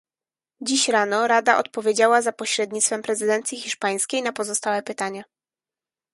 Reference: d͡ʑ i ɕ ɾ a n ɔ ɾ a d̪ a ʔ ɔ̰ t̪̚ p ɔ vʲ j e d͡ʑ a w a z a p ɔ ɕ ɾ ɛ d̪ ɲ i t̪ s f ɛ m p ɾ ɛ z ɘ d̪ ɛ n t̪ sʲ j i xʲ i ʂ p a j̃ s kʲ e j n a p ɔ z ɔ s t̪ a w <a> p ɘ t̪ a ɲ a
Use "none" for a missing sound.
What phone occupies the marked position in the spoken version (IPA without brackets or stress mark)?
ɛ